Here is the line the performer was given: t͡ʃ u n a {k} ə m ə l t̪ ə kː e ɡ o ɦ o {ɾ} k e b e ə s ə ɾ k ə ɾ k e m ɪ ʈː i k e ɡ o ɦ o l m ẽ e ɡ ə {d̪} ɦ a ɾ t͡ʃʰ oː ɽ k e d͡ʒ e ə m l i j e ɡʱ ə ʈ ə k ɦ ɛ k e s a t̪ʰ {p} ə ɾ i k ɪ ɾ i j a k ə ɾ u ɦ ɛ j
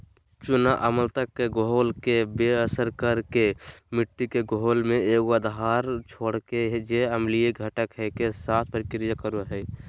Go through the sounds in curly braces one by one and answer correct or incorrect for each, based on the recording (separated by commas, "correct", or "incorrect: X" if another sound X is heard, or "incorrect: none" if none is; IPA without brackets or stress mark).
incorrect: ʔ, incorrect: l, correct, correct